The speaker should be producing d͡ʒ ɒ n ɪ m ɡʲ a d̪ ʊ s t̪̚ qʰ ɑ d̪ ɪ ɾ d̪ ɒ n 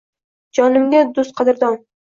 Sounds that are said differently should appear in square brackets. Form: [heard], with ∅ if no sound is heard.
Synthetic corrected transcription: d͡ʒ ɒ n ɪ m ɡʲ a d̪ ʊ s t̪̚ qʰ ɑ d̪ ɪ ɾ d̪ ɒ n